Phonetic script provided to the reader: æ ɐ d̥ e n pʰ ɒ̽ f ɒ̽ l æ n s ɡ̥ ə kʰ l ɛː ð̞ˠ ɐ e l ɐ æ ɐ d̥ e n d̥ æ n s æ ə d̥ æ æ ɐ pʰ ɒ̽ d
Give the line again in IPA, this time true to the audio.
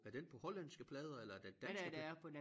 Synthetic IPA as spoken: æ ɐ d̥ e n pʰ ɒ̽ h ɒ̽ l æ n s ɡ̥ ə pʰ l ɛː ð̞ˠ ɐ e l ɐ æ ɐ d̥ e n d̥ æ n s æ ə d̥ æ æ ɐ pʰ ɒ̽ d